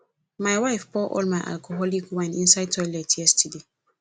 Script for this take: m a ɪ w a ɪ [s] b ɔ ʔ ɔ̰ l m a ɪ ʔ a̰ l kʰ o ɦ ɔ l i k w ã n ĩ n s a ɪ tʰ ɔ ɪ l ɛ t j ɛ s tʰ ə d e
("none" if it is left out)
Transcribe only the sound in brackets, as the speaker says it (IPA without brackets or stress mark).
f